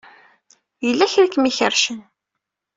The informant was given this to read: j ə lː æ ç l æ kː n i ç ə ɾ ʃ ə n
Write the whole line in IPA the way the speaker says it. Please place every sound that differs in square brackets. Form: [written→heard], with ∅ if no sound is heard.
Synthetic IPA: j ə lː æ ç [l→ɾ] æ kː [n→m] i ç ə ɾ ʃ ə n